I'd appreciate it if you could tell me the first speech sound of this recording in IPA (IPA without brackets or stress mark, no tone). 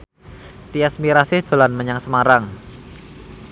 t̪